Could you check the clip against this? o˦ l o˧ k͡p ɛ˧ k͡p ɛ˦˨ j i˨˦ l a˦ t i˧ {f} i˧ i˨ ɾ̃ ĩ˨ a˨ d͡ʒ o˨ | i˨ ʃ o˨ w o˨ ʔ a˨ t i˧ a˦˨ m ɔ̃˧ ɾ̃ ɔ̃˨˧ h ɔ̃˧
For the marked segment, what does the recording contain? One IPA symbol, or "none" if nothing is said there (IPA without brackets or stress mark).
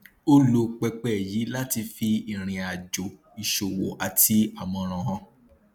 f